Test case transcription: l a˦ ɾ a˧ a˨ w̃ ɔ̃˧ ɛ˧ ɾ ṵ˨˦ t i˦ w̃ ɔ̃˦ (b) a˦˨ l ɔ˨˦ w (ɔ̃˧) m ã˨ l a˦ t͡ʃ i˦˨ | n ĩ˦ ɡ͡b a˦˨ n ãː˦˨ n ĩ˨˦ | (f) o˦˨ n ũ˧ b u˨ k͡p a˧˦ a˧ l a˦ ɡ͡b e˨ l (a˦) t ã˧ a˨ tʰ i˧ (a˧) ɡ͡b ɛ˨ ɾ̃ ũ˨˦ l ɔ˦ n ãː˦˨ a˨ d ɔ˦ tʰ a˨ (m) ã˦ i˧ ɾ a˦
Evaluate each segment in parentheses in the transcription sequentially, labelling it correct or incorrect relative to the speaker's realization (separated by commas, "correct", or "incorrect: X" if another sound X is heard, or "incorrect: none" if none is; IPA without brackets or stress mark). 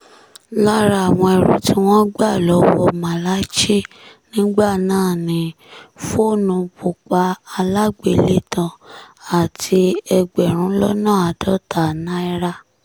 incorrect: ɡ͡b, incorrect: ɔ˧, correct, incorrect: e˦, incorrect: ɛ˧, incorrect: n